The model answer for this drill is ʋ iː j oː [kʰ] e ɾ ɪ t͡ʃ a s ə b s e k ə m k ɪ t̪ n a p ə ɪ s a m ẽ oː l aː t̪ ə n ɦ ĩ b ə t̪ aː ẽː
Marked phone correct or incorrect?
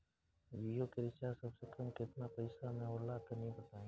incorrect